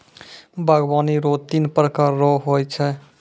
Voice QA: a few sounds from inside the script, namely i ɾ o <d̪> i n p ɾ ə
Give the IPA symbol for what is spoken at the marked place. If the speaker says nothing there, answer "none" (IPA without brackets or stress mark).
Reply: t̪